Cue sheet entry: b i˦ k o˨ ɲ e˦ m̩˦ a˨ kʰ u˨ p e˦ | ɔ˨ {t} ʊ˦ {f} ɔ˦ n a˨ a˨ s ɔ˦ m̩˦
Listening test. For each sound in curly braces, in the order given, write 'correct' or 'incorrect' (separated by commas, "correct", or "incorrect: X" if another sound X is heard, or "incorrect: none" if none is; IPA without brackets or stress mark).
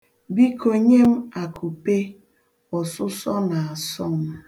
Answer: incorrect: s, incorrect: s